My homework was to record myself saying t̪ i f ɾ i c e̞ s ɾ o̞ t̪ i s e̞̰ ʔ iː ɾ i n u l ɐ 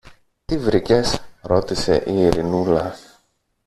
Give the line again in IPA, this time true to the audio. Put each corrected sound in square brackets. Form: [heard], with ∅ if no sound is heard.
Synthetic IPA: t̪ i [v] ɾ i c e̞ s ɾ o̞ t̪ i s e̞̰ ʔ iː ɾ i n u l ɐ